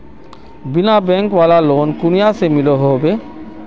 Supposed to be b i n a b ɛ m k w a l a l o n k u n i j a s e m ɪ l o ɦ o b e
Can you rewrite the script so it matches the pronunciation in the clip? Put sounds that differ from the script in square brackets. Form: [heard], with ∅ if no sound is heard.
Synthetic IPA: b i n a b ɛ [ŋ] k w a l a l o n k u n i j a s e m [i] l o ɦ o b e